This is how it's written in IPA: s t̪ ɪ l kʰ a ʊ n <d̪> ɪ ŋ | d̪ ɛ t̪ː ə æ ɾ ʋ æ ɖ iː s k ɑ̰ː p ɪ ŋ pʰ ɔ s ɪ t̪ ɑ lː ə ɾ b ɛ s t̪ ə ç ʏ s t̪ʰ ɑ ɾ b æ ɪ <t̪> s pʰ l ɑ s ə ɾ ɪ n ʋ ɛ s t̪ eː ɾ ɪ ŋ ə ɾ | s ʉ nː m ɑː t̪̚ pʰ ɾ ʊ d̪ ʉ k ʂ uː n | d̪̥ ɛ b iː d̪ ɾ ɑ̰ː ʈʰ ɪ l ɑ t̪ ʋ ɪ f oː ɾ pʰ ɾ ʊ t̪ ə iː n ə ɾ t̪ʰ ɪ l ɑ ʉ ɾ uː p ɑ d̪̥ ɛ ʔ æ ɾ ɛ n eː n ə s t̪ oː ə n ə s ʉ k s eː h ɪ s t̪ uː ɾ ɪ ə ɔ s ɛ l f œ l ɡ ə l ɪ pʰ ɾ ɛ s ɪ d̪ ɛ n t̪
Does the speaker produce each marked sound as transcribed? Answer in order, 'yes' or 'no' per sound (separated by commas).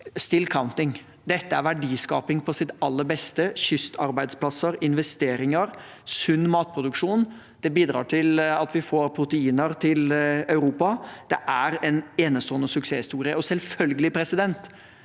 no, no